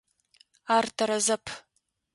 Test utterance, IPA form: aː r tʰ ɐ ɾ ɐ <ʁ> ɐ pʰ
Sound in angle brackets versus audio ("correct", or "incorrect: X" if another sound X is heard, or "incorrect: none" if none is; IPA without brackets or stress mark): incorrect: z